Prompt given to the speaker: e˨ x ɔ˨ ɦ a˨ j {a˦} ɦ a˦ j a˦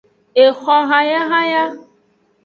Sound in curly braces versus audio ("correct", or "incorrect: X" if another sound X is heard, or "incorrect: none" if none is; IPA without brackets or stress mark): correct